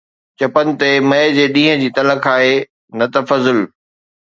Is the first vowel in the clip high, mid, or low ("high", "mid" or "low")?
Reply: low